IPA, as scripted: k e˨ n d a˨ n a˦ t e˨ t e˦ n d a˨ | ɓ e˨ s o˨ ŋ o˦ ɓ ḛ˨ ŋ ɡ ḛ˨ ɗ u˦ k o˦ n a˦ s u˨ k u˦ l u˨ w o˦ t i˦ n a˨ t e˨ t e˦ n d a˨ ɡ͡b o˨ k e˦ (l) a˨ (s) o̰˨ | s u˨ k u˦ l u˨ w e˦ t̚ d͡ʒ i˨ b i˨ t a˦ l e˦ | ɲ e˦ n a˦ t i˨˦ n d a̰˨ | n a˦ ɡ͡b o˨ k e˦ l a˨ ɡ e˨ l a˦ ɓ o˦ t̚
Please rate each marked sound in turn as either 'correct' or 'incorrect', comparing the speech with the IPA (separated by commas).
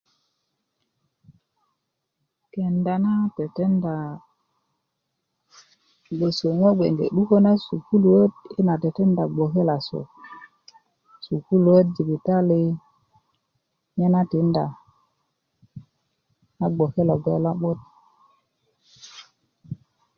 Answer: correct, correct